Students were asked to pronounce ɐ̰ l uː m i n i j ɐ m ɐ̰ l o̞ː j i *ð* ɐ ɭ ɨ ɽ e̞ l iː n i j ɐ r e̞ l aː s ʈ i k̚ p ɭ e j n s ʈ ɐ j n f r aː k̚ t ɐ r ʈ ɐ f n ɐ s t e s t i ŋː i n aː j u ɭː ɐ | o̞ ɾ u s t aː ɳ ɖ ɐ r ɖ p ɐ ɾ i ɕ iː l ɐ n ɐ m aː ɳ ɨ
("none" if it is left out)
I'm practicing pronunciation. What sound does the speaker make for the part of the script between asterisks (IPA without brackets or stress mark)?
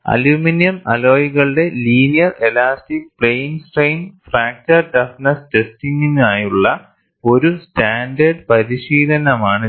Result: ɣ